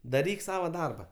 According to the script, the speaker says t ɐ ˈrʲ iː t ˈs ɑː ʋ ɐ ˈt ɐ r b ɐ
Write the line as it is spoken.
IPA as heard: d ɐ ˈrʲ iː k ˈs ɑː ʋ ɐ ˈd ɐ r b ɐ